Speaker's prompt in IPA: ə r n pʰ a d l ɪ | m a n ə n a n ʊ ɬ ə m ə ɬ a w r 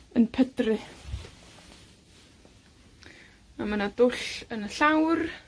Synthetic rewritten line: ə n pʰ ə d r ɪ | m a m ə n a d ʊ ɬ ə n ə ɬ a w r